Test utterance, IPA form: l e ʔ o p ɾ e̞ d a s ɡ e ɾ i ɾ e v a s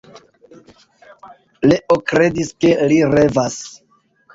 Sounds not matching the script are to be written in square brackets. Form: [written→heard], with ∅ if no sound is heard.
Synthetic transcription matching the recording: l e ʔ o [p→k] ɾ e̞ d [a→i] s [ɡ→k] e [ɾ→l] i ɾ e v a s